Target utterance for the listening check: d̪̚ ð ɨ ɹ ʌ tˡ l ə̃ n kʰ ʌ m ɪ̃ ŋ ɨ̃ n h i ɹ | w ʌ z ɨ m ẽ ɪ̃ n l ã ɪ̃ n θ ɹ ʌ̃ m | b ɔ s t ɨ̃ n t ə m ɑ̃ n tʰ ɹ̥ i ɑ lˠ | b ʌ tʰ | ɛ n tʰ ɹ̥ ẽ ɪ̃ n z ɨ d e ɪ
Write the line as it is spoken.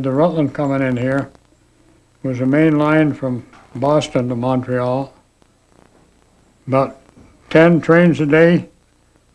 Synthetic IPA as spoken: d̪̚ ð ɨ ɹ ʌ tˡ l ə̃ n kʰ ʌ m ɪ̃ ŋ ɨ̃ n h i ɹ | w ʌ z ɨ m ẽ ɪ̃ n l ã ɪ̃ n f ɹ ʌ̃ m | b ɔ s t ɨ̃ n t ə m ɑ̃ n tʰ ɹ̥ i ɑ lˠ | b ʌ tʰ | ɛ̃ n tʰ ɹ̥ ẽ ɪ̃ n z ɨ d e ɪ

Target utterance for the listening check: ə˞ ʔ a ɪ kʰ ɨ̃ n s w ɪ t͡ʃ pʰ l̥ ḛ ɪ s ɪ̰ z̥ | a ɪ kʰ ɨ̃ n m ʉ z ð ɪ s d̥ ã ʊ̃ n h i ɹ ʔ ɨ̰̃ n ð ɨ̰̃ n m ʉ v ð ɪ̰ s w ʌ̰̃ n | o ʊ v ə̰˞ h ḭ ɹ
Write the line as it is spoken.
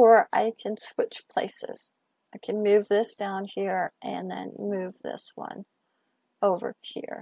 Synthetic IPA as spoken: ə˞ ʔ a ɪ kʰ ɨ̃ n s w ɪ t͡ʃ pʰ l̥ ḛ ɪ s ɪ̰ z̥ | a ɪ kʰ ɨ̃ n m ʉ v ð ɪ s d̥ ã ʊ̃ n h i ɹ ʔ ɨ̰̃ n ð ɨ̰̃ n m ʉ v ð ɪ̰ s w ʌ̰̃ n | o ʊ v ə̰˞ h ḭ ɹ

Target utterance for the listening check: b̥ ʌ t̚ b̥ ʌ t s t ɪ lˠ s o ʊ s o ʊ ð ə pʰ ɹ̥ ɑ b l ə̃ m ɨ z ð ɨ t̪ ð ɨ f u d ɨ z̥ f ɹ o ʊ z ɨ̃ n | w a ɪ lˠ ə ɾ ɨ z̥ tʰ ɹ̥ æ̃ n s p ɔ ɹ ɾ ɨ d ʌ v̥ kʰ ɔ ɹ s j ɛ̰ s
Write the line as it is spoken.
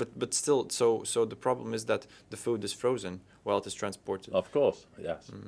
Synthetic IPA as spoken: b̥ ʌ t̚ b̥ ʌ t s t ɪ lˠ s o ʊ s o ʊ ð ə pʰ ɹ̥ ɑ b l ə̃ m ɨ z ð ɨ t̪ ð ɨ f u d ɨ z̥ f ɹ o ʊ z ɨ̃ n | w a ɪ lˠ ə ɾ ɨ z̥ tʰ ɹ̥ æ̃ n s p ɔ ɹ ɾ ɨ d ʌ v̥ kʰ ɔ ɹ s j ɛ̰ s

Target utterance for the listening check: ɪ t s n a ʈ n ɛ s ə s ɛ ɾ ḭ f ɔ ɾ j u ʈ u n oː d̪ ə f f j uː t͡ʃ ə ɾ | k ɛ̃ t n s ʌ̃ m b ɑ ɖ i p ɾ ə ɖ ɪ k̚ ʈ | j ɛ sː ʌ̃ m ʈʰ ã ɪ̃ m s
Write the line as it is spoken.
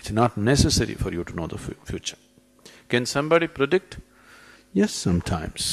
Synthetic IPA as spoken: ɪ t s n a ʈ n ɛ s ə s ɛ ɾ ḭ f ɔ ɾ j u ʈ u n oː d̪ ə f f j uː t͡ʃ ə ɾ | k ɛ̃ n s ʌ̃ m b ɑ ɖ i p ɾ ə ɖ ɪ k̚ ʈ | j ɛ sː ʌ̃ m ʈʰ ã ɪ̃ m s

